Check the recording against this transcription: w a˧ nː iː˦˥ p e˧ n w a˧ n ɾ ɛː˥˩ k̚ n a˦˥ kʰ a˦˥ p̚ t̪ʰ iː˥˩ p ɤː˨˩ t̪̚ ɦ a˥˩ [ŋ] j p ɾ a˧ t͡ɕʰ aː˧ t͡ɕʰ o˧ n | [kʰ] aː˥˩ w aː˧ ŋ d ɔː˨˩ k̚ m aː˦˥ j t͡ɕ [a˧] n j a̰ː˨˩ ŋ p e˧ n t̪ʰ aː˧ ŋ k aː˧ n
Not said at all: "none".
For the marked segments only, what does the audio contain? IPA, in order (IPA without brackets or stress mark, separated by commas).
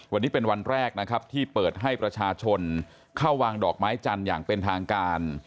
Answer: none, kʰ, a˧